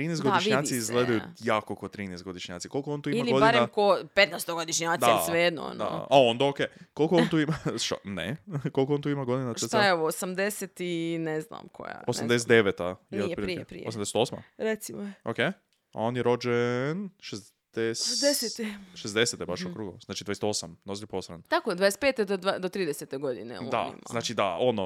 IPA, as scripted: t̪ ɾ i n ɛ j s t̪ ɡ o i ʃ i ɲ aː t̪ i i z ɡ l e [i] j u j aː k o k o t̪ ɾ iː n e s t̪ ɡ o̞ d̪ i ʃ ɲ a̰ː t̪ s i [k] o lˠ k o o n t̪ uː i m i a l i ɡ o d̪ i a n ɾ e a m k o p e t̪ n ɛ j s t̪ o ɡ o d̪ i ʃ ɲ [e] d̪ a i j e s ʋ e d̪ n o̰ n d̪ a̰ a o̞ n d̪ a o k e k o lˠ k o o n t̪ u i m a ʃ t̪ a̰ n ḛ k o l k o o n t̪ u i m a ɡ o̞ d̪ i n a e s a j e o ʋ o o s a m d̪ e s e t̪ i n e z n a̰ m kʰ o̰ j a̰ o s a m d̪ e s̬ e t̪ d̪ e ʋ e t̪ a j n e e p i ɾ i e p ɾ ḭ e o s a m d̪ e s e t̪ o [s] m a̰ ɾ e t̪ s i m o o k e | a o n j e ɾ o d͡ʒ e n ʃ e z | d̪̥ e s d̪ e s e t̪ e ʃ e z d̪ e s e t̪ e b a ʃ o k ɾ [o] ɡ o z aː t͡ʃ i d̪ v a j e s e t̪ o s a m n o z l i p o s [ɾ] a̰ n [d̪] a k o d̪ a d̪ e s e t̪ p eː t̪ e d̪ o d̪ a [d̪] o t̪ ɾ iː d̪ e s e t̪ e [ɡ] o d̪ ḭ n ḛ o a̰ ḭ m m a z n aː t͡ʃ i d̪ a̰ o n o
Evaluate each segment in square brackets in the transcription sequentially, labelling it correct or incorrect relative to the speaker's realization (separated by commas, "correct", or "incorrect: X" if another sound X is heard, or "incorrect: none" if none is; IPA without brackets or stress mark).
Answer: incorrect: a, correct, incorrect: a, correct, incorrect: u, correct, incorrect: t̪, correct, correct